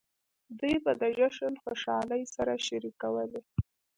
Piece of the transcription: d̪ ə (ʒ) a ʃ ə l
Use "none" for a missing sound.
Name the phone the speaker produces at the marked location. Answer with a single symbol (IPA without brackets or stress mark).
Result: ʒ